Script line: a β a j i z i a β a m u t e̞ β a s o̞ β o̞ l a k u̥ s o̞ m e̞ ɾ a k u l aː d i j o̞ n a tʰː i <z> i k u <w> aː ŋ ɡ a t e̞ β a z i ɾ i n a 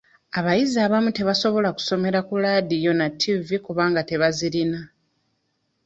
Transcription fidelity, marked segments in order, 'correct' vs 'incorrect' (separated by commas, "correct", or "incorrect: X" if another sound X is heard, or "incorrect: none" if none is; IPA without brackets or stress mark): incorrect: v, incorrect: β